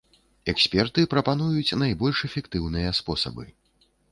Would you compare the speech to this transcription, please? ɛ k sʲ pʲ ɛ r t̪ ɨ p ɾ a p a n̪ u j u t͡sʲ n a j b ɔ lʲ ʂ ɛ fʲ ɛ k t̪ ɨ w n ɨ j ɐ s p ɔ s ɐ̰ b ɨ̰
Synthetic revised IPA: ɛ k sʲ pʲ ɛ r t̪ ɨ p ɾ ɐ p a n̪ u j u t͡sʲ n a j b ɔ lʲ ʂ ɛ fʲ ɛ k t̪ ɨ w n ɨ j ɐ s p ɔ s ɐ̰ b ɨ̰